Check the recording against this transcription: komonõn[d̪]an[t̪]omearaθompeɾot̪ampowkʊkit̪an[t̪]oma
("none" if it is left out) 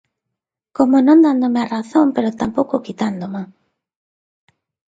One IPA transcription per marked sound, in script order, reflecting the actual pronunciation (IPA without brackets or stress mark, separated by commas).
d̪, d̪, d̪